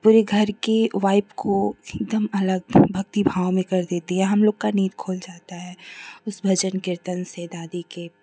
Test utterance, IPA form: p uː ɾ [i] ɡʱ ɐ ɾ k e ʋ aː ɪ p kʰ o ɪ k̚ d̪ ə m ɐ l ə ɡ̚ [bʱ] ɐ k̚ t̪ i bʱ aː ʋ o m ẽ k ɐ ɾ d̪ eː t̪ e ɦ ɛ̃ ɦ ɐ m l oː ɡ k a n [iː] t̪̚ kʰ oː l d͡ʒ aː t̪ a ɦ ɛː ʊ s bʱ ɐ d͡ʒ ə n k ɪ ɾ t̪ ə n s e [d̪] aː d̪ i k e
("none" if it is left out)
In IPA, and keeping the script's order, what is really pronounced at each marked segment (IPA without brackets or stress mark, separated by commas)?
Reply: e, bʱ, iː, d̪